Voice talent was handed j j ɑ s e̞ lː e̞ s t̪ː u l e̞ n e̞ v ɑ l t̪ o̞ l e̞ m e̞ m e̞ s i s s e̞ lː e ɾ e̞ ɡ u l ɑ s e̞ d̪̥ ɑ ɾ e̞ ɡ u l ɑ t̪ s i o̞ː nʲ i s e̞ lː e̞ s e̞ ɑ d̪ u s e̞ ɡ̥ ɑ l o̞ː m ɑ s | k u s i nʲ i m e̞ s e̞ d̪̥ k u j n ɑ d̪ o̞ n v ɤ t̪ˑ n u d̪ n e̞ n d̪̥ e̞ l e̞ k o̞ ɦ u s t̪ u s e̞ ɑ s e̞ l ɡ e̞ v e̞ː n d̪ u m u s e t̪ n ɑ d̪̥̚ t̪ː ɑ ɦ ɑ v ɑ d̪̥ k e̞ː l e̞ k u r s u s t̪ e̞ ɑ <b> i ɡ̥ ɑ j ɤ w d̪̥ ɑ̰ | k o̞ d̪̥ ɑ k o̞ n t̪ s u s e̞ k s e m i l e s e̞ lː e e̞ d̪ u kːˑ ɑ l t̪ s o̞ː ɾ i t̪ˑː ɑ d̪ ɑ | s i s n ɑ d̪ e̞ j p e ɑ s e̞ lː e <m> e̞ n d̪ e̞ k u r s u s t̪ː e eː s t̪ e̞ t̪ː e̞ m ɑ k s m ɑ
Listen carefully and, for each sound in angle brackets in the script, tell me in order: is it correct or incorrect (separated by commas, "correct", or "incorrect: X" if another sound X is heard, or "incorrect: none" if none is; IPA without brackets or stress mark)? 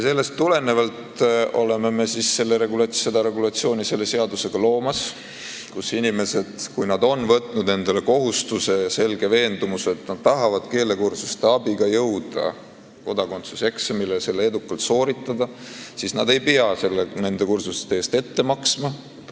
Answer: correct, incorrect: n